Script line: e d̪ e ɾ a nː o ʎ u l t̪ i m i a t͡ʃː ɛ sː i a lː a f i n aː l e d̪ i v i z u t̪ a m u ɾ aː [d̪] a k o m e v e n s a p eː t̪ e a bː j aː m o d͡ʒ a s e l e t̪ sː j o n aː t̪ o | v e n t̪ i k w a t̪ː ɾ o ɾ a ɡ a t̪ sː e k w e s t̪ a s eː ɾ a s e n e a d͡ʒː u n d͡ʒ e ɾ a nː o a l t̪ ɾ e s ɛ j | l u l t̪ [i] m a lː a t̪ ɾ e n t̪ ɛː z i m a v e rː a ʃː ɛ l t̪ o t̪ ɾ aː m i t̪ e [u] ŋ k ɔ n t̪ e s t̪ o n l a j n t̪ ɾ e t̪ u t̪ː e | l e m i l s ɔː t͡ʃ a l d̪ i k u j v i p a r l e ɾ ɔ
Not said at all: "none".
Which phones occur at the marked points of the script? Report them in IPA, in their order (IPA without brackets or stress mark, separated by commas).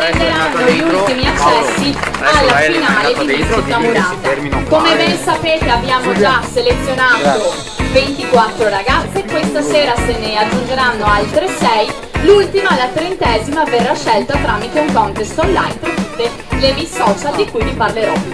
t̪, i, u